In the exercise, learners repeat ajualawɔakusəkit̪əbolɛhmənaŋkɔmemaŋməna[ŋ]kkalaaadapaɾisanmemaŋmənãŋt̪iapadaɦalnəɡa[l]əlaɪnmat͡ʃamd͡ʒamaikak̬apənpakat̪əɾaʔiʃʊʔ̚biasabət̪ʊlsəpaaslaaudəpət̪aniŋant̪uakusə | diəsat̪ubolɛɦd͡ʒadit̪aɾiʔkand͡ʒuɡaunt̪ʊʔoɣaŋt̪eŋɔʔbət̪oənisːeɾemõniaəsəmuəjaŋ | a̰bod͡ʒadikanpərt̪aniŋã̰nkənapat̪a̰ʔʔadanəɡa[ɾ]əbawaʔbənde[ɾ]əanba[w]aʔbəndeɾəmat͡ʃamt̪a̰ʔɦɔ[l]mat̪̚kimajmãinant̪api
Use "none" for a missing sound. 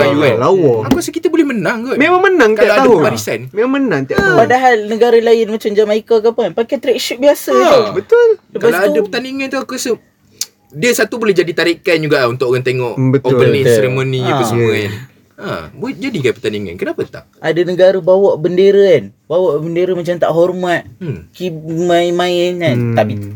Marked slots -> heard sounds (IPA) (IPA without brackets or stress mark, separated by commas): ŋ, ɾ, ɾ, ɾ, w, r